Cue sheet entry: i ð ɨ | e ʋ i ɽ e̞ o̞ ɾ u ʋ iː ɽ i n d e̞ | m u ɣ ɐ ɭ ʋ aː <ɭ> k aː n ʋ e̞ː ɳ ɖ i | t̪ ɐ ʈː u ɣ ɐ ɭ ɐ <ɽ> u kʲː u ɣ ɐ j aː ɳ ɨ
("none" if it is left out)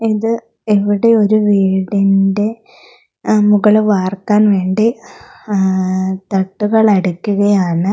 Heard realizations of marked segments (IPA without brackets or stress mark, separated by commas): r, ɽ